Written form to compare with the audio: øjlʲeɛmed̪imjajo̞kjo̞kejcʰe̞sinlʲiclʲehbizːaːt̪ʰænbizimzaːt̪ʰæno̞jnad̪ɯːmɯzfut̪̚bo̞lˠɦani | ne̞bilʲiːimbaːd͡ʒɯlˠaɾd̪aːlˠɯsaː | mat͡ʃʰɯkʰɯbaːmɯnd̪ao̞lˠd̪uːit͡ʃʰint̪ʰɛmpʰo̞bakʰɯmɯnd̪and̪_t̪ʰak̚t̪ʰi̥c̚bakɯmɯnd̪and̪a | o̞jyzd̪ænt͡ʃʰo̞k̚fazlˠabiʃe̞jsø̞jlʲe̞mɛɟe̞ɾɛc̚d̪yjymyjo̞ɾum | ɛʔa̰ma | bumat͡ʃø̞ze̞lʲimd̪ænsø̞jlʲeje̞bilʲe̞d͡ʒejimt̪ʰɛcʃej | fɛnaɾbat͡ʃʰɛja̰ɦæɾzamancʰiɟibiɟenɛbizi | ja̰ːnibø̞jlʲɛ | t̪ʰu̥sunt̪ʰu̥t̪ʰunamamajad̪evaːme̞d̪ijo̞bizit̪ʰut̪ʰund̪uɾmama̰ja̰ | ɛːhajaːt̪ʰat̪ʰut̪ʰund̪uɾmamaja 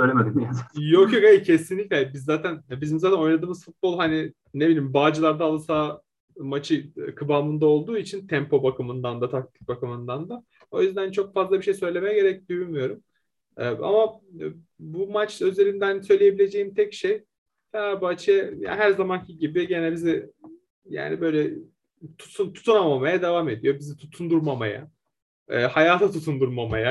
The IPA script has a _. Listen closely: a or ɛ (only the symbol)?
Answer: a